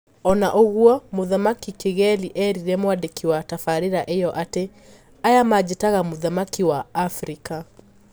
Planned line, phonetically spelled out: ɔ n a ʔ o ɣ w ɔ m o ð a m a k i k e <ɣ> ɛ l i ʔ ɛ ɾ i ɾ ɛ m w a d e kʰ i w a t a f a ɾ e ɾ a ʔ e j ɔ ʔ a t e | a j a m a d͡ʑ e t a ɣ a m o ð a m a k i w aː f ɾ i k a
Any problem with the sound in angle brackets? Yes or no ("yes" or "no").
no